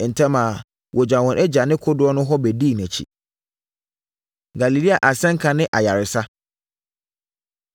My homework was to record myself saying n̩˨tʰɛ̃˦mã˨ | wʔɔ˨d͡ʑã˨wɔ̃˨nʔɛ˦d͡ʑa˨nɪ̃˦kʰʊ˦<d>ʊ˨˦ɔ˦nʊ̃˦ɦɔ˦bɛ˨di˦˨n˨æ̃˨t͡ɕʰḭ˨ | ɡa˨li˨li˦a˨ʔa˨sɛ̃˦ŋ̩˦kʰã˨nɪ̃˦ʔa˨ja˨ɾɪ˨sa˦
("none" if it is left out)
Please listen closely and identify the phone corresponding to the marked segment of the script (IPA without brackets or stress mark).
d